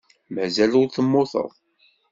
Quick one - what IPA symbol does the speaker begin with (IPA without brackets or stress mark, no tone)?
m